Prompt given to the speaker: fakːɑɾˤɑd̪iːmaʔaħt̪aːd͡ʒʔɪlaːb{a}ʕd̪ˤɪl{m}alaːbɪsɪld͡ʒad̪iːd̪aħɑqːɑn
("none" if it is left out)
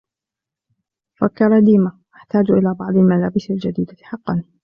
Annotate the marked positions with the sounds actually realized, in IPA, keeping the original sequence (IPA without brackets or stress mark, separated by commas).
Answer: ɑ, m